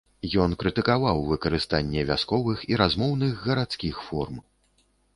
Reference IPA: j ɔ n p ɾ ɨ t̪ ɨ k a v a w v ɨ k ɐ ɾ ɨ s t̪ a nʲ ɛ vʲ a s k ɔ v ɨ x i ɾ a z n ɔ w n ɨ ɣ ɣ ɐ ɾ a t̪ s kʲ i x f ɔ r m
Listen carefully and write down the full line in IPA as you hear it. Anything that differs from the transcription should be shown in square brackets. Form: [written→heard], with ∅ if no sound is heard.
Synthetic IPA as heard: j ɔ n [p→k] ɾ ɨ t̪ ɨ k a v a w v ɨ k ɐ ɾ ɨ s t̪ a [nʲ→nʲː] ɛ vʲ a s k ɔ v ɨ x i ɾ a z [n→m] ɔ w n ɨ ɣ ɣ ɐ ɾ a t̪ s kʲ i x f ɔ r m